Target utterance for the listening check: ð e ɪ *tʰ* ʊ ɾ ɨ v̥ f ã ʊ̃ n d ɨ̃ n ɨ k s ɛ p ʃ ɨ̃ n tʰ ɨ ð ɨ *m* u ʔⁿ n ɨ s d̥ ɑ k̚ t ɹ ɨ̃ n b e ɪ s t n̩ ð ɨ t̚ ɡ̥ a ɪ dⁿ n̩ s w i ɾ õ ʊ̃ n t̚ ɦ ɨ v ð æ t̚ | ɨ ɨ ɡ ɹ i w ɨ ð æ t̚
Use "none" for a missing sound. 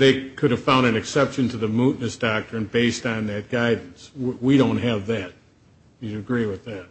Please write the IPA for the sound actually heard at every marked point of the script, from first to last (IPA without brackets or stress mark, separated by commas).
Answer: kʰ, m